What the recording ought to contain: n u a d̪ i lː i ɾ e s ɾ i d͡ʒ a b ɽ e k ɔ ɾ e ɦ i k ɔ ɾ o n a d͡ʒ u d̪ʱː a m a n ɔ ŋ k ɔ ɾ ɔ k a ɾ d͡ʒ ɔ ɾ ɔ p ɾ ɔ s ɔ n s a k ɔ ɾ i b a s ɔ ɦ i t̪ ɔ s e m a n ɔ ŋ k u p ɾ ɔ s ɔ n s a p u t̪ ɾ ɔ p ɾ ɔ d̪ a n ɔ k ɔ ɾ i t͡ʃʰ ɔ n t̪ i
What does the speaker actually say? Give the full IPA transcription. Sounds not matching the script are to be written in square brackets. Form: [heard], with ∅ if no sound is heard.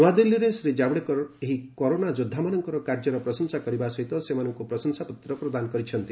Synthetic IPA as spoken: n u a d̪ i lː i ɾ e s ɾ i d͡ʒ a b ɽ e k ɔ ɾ e ɦ i k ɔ ɾ o n a d͡ʒ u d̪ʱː a m a n ɔ ŋ k ɔ ɾ ɔ k a ɾ d͡ʒ ɔ ɾ ɔ p ɾ ɔ s ɔ n s a k ɔ ɾ i b a s ɔ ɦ i t̪ ɔ s e m a n ɔ ŋ k u p ɾ ɔ s ɔ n s a p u t̪ ɾ ɔ p ɾ ɔ d̪ a n ɔ k ɔ ɾ i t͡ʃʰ ɔ n t̪ i